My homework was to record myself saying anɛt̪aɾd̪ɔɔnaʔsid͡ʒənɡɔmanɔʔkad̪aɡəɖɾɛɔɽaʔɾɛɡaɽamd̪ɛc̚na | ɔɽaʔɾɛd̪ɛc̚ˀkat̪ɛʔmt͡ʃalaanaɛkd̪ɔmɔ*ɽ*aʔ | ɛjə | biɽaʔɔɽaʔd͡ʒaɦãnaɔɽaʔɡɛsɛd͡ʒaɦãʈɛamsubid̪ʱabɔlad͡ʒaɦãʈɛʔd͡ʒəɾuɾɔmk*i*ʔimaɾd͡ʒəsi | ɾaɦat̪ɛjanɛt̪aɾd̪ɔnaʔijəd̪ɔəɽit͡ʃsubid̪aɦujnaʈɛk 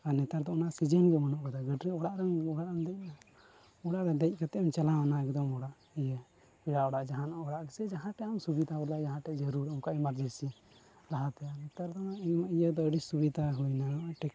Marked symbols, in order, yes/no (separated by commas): yes, no